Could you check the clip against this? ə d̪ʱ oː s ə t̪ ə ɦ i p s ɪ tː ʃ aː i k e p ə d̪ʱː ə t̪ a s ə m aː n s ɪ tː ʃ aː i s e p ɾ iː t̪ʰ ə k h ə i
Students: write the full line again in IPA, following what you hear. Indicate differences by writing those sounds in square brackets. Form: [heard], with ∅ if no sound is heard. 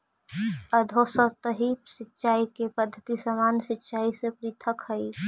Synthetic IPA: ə d̪ʱ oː s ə t̪ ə ɦ i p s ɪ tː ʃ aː i k e p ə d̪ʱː ə t̪ [i] s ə m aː n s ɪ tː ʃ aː i s e p ɾ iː t̪ʰ ə k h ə i